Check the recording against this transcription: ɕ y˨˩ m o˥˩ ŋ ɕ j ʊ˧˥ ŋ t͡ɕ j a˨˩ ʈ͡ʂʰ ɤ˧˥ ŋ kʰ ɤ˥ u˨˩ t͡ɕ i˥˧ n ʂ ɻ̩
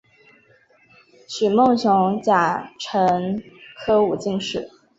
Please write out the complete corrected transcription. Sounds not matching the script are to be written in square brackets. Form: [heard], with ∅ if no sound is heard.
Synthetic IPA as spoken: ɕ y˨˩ m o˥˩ ŋ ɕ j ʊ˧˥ ŋ t͡ɕ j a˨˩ ʈ͡ʂʰ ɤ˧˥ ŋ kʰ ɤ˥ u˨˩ t͡ɕ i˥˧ [ŋ] ʂ ɻ̩